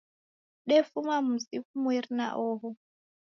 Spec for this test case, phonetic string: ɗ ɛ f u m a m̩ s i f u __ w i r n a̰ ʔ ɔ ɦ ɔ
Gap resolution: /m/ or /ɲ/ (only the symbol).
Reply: m